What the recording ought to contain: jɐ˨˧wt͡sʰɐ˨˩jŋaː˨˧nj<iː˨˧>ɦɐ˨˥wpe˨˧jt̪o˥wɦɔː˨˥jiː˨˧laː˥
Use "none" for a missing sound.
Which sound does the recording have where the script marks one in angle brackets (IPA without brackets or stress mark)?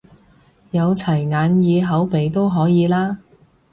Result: iː˨˧